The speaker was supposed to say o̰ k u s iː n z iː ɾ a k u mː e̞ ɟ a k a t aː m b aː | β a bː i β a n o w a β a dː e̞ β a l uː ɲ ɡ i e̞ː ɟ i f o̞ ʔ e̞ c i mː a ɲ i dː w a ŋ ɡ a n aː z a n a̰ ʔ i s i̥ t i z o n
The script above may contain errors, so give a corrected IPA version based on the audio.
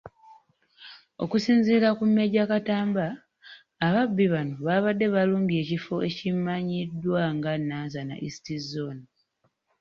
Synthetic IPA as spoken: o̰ k u s iː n z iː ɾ a k u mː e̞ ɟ a k a t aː m b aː | β a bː i β a n o β a β a dː e̞ β a l uː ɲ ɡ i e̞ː c i f o̞ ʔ e̞ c i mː a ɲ i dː w a ŋ ɡ a n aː z a n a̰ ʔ i s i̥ t i z o n